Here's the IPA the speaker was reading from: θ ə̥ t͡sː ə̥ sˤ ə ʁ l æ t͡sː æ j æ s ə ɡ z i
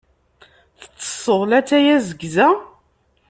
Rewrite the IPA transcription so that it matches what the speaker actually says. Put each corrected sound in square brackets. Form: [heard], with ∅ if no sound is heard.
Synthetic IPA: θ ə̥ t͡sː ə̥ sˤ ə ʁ l æ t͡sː æ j æ [z] ə ɡ z [æ]